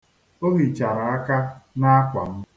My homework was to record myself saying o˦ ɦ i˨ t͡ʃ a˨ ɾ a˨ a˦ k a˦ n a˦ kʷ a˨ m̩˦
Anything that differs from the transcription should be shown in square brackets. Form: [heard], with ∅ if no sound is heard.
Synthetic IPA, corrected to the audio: o˦ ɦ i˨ t͡ʃ a˨ ɾ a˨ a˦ k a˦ n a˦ kʷ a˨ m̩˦